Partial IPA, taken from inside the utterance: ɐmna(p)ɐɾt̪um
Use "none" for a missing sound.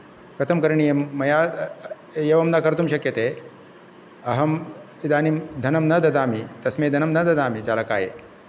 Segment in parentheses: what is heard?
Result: k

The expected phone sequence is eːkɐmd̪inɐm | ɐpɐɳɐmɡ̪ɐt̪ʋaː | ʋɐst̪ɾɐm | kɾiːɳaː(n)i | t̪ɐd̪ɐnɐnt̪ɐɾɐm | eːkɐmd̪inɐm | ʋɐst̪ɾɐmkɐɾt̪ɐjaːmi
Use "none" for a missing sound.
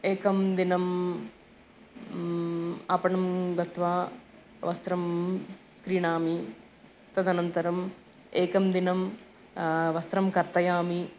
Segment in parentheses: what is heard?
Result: m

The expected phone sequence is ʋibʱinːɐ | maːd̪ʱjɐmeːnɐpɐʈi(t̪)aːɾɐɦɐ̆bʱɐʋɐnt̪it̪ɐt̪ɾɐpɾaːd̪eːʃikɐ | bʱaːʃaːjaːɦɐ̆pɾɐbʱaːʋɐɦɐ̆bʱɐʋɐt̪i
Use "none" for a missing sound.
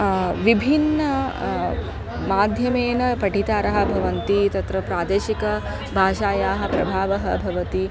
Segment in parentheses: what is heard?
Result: t̪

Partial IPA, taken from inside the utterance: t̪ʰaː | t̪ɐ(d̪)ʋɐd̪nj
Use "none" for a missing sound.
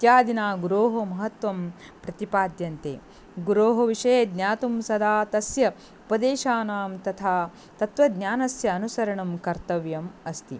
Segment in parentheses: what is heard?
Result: t̪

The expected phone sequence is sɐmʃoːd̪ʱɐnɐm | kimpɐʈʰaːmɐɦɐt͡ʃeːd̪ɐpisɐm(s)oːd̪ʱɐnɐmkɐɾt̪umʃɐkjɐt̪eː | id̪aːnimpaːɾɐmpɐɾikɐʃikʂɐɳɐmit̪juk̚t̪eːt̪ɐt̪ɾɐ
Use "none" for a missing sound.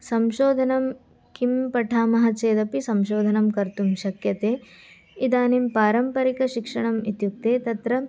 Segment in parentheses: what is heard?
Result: ʃ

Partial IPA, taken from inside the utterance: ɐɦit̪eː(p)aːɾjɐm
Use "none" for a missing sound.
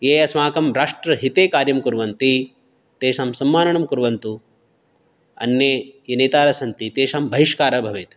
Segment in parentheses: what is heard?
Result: k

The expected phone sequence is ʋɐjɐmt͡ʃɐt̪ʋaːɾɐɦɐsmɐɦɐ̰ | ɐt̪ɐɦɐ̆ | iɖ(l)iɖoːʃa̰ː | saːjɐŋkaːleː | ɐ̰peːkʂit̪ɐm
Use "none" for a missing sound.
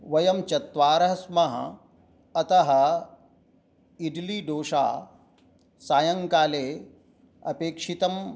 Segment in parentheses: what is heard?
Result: l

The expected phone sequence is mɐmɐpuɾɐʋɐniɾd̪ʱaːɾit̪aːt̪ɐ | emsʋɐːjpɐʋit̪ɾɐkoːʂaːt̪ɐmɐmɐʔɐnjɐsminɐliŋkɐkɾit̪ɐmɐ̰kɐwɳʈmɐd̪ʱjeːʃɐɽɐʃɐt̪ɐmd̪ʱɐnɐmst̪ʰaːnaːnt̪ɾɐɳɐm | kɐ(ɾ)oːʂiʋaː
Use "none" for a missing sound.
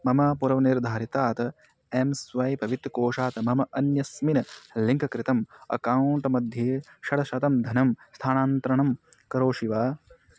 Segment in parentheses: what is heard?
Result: ɾ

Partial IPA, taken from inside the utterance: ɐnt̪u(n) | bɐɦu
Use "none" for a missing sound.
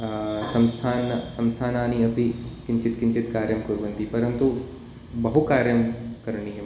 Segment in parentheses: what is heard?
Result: none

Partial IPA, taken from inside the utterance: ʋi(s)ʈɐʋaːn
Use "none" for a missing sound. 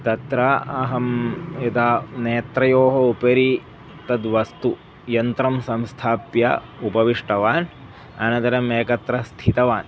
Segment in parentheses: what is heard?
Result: ʂ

